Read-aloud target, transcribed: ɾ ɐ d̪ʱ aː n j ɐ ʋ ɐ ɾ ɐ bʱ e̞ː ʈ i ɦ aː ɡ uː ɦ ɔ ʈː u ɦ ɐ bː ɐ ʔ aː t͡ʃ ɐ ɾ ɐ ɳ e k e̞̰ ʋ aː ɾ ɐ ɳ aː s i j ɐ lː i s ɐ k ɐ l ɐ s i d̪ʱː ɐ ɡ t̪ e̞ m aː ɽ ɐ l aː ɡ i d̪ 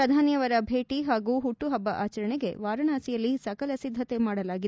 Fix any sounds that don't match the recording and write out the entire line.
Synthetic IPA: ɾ ɐ d̪ʱ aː n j ɐ ʋ ɐ ɾ ɐ bʱ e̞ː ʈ i ɦ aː ɡ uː ɦ u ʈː u ɦ ɐ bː ɐ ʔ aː t͡ʃ ɐ ɾ ɐ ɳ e ɡ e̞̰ ʋ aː ɾ ɐ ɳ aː s i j ɐ lː i s ɐ k ɐ l ɐ s i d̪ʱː ɐ t̪ e̞ m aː ɽ ɐ l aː ɡ i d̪